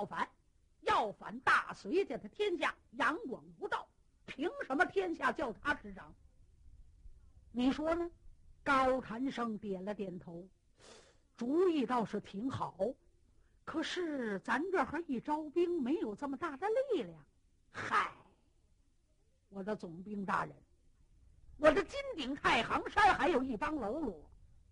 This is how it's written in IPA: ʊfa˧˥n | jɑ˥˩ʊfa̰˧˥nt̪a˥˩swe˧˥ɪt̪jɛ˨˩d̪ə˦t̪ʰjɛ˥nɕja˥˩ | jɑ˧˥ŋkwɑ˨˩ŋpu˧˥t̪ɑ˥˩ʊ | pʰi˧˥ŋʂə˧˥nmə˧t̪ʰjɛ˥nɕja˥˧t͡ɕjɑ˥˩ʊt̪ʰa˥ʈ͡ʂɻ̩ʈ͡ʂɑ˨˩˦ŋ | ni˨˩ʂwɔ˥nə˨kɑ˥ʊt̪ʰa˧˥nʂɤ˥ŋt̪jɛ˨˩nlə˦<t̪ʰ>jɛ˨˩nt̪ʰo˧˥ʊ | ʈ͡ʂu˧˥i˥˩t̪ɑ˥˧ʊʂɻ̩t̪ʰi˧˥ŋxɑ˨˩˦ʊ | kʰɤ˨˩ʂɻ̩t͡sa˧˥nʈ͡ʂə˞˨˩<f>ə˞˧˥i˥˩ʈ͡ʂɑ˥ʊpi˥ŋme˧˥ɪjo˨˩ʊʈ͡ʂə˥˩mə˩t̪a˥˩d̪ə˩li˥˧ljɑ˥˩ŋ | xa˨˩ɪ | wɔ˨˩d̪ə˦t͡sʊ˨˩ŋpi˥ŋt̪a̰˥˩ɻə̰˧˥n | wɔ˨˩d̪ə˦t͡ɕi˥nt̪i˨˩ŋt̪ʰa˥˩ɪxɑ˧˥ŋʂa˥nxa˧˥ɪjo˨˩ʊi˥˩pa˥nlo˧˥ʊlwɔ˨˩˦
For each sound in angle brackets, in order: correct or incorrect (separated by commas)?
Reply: incorrect, incorrect